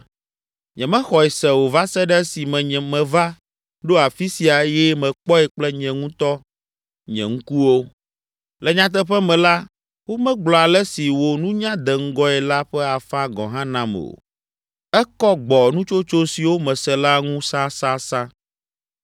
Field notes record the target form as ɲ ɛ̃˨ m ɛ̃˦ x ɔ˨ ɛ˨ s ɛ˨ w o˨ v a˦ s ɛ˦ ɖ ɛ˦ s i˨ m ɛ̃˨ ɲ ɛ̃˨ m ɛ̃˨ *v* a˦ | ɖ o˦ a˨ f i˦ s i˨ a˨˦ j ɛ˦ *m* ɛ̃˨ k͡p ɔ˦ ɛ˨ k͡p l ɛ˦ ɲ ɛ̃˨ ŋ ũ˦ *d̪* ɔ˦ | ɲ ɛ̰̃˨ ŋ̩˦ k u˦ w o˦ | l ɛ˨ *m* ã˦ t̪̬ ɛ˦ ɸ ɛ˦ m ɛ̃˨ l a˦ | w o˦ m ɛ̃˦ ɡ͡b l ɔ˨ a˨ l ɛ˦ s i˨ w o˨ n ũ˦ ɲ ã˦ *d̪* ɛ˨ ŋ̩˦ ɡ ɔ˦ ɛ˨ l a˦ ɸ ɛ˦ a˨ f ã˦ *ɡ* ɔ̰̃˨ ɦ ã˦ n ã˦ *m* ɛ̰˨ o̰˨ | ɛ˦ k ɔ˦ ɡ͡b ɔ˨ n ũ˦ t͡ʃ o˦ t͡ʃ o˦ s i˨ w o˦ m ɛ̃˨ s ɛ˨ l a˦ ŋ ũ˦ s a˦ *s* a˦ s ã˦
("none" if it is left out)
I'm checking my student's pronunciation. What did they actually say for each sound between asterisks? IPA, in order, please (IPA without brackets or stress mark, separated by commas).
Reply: v, m, t̪, ɲ, d̪, ɡ, m, s